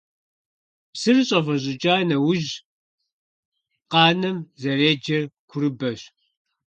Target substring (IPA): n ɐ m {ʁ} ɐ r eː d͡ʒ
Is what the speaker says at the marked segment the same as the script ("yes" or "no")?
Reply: no